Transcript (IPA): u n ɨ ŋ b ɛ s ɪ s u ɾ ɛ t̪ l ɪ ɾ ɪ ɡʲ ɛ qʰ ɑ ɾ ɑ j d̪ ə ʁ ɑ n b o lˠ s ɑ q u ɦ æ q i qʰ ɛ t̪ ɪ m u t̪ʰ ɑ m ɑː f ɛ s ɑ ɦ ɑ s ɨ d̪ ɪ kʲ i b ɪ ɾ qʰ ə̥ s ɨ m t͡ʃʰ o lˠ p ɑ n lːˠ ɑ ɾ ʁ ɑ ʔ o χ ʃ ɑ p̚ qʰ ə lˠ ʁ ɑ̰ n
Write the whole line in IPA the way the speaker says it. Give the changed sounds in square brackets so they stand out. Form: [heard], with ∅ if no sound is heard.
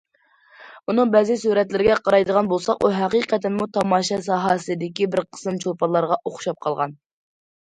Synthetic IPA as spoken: u n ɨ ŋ b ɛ [z] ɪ s u ɾ ɛ t̪ l ɪ ɾ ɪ ɡʲ ɛ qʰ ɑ ɾ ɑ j d̪ ə ʁ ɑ n b o lˠ s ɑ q u ɦ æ q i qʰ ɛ t̪ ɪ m u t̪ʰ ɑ m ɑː [ʃ] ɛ s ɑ ɦ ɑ s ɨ d̪ ɪ kʲ i b ɪ ɾ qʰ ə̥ s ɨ m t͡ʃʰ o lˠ p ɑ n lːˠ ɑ ɾ ʁ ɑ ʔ o χ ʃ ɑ p̚ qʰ [ɑ] lˠ ʁ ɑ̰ n